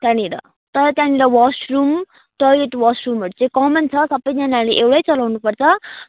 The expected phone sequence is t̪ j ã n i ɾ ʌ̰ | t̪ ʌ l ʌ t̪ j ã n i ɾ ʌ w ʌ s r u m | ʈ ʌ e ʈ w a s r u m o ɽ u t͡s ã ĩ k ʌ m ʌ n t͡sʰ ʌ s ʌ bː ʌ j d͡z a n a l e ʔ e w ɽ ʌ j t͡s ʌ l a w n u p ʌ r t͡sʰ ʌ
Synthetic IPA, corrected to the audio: t̪ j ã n i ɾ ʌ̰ | t̪ ʌ ɾ ʌ t̪ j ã n i ɾ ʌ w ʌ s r u m | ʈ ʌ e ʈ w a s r u m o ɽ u t͡s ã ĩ k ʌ m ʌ n t͡sʰ ʌ s ʌ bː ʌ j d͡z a n a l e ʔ e w ɽ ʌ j t͡s ʌ l a w n u p ʌ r t͡sʰ ʌ